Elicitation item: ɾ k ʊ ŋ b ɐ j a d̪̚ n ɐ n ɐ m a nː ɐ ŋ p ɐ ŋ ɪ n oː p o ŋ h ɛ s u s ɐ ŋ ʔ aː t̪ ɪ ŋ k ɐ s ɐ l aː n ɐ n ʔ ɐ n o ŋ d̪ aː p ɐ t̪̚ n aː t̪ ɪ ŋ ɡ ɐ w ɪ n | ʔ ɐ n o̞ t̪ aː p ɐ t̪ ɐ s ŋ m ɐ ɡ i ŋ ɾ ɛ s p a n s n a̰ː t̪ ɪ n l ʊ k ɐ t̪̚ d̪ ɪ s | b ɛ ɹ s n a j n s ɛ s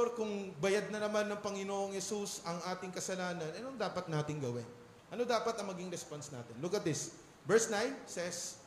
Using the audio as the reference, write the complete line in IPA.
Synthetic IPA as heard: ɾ k ʊ ŋ b ɐ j a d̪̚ n ɐ n ɐ m a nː ɐ ŋ p ɐ ŋ ɪ n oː ʔ o ŋ h ɛ s u s ɐ ŋ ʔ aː t̪ ɪ ŋ k ɐ s ɐ l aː n ɐ n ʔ ɐ n o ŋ d̪ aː p ɐ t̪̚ n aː t̪ ɪ ŋ ɡ ɐ w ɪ n | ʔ ɐ n o̞ d̪ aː p ɐ t̪ ɐ ŋ m ɐ ɡ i ŋ ɾ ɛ s p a n s n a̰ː t̪ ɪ n l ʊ k ɐ t̪̚ d̪ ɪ s | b ɛ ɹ s n a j n s ɛ s